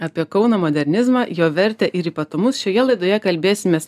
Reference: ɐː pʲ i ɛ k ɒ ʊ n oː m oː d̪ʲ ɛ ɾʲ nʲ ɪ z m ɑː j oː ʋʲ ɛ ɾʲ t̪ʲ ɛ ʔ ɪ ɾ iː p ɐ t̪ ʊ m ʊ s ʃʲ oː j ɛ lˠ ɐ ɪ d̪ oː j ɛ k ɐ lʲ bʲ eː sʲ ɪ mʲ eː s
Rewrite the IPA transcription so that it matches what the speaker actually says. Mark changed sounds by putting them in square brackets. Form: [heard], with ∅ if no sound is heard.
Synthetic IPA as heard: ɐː pʲ i ɛ k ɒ ʊ n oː m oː d̪ʲ ɛ ɾʲ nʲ ɪ z m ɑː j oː ʋʲ ɛ ɾʲ t̪ʲ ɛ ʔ ɪ ɾ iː p ɐ t̪ ʊ m ʊ s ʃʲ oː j ɛ lˠ ɐ ɪ d̪ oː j ɛ k ɐ lʲ bʲ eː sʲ ɪ mʲ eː s